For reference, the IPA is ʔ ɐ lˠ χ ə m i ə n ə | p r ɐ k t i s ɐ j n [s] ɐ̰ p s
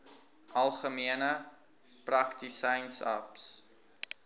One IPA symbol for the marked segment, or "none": s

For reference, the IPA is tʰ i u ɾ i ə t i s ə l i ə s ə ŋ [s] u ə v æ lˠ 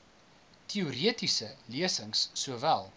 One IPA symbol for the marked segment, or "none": sː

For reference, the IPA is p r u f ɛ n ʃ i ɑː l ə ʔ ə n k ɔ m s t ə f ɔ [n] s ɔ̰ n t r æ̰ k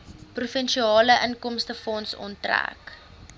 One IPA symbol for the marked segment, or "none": n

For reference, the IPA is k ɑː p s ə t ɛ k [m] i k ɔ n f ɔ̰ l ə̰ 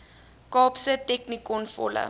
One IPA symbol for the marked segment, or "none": n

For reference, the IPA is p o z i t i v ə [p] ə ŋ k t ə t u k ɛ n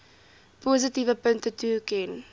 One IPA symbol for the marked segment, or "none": p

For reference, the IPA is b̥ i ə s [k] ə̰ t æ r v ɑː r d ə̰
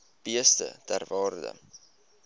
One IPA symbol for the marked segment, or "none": t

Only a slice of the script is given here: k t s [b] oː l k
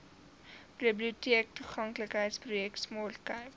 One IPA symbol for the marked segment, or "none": m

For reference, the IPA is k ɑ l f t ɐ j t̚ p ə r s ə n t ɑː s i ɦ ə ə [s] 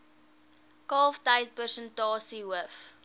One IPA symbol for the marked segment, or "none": f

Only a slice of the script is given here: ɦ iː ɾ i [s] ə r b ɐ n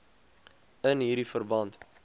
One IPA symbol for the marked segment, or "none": f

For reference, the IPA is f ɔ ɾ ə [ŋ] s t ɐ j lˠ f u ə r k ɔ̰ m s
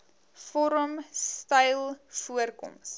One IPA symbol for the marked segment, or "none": m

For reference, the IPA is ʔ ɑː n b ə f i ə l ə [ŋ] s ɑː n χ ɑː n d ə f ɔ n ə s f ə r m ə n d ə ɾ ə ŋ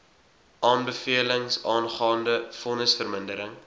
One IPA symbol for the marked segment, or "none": ŋ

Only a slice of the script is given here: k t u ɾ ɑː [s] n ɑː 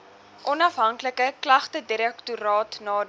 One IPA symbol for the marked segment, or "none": t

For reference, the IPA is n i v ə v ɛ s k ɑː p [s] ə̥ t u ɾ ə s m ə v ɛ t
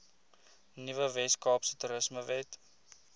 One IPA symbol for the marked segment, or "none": s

